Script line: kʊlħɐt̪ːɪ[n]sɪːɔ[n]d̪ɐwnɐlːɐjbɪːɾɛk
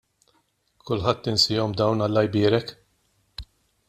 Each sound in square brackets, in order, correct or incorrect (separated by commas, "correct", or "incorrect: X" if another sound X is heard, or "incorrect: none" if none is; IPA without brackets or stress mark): correct, incorrect: m